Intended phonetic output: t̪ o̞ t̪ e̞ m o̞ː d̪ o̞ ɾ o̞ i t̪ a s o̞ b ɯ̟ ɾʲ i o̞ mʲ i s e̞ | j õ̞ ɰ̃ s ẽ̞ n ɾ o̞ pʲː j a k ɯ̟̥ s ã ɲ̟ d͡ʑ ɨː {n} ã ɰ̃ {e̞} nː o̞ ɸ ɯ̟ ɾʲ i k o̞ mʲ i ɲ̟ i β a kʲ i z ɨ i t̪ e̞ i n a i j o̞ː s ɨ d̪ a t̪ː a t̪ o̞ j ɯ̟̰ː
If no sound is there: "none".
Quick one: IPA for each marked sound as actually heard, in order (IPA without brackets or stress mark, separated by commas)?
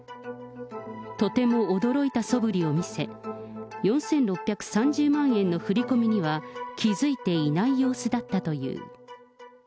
m, ẽ̞